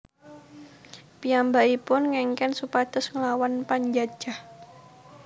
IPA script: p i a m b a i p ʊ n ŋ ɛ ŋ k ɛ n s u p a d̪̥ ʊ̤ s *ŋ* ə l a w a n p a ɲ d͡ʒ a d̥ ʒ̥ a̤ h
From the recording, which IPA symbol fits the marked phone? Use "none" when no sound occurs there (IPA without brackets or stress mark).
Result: ŋ